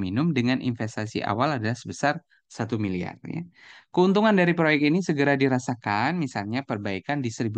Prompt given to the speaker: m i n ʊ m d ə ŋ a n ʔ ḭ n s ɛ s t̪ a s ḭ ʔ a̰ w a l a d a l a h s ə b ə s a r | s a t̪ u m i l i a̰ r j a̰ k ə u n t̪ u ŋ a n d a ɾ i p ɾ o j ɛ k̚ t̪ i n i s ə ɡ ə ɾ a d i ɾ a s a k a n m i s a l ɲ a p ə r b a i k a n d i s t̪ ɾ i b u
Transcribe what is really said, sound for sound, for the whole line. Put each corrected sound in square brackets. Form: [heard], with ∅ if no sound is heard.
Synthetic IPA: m i n ʊ m d ə ŋ a n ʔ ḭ n [f] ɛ s t̪ a s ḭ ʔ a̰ w a l a d a l a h s ə b ə s a r | s a t̪ u m i l i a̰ r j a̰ k ə u n t̪ u ŋ a n d a ɾ i p ɾ o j ɛ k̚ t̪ i n i s ə ɡ ə ɾ a d i ɾ a s a k a n m i s a l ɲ a p ə r b a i k a n d i s t̪ ɾ i b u